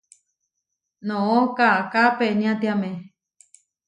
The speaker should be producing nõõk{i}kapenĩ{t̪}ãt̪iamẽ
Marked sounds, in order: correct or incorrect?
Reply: incorrect, incorrect

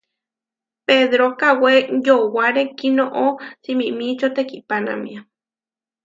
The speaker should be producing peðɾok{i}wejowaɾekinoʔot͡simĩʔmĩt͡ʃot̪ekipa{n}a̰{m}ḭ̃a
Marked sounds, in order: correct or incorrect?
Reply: incorrect, correct, correct

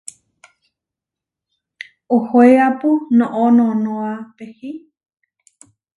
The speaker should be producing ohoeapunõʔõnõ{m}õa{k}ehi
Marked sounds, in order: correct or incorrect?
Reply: incorrect, incorrect

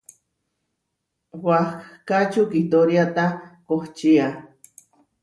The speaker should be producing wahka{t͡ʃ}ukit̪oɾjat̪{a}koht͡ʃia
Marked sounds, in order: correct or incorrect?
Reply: correct, correct

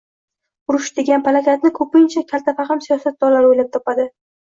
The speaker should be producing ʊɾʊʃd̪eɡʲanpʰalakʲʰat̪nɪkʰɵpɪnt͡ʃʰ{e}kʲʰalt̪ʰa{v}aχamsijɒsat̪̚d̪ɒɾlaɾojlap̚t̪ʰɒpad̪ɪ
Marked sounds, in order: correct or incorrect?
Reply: incorrect, incorrect

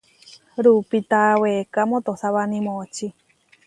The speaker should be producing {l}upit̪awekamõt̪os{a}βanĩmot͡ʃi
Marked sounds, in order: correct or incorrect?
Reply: incorrect, correct

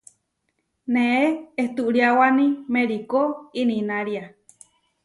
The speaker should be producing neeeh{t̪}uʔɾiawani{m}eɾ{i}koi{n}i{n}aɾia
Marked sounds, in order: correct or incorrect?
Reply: correct, correct, correct, correct, correct

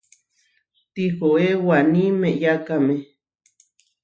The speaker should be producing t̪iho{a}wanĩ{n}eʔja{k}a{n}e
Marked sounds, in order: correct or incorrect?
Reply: incorrect, incorrect, correct, incorrect

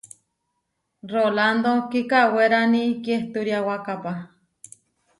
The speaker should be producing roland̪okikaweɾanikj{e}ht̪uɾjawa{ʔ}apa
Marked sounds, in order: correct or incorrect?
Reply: correct, incorrect

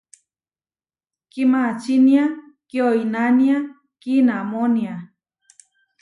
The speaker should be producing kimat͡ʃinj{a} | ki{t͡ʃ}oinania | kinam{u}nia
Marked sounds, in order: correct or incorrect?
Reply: correct, incorrect, incorrect

